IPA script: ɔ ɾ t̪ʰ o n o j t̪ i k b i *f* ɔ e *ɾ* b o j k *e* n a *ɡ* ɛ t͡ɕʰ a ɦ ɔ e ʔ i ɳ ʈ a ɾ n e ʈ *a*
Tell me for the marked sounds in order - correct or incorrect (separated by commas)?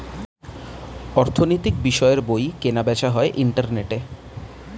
incorrect, correct, correct, incorrect, incorrect